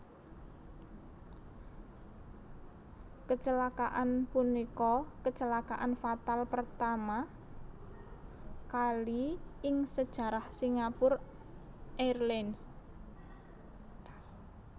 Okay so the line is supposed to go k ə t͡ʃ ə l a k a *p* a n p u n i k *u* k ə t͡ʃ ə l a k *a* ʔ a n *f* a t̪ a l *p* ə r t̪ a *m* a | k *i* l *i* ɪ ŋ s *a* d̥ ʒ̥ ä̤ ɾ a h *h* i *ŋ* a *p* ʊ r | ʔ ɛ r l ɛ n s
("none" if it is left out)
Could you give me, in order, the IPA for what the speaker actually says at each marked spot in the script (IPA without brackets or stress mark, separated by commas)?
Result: ʔ, ɔ, a, f, p, m, a, i, ə, s, ŋ, p